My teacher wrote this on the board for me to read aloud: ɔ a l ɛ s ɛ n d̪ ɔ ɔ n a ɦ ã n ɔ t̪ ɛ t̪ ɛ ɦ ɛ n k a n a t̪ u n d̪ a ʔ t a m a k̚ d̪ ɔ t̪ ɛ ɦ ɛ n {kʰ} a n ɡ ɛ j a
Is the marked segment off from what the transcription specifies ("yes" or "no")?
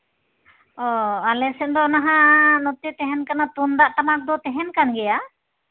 yes